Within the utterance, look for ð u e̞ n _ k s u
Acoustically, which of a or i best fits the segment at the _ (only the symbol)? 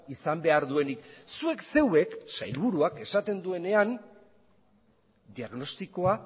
i